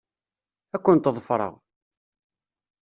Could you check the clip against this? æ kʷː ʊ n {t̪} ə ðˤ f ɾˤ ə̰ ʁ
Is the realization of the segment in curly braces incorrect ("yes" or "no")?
no